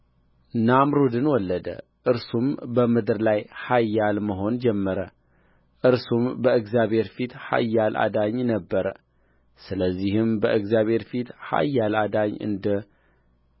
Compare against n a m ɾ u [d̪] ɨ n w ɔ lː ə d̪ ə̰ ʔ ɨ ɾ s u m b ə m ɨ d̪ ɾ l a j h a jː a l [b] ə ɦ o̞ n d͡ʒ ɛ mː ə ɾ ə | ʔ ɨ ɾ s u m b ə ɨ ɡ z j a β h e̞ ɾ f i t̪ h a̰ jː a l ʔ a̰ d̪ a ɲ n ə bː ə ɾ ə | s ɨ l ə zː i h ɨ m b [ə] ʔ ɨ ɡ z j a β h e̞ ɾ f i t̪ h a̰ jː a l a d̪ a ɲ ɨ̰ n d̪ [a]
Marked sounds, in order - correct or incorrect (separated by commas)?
correct, incorrect, correct, incorrect